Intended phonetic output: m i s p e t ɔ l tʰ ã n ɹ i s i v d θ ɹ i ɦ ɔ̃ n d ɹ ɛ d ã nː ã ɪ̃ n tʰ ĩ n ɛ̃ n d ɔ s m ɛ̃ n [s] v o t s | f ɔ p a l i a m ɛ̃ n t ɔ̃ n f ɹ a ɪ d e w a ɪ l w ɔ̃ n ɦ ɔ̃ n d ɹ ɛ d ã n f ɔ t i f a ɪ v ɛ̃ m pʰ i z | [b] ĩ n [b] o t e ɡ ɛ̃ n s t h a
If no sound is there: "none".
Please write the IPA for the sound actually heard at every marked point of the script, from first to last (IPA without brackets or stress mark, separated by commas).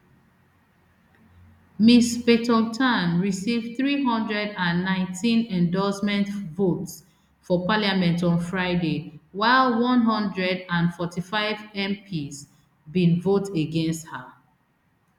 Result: t, b, v